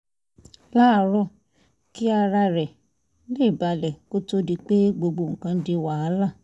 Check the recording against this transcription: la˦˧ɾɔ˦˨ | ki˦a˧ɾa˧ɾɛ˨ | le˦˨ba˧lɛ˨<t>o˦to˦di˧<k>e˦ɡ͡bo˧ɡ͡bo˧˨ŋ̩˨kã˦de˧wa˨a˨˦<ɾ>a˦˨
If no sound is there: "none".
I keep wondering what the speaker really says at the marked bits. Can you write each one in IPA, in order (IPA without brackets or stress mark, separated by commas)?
k, k͡p, l